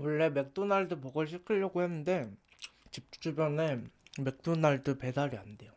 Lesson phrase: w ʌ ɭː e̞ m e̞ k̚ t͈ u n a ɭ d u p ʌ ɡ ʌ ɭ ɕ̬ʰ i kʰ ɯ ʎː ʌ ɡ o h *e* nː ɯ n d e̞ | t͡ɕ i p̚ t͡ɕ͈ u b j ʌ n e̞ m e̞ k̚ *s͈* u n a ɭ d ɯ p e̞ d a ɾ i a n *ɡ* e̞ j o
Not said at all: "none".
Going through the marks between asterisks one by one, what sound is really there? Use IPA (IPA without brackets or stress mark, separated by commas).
e, t͈, d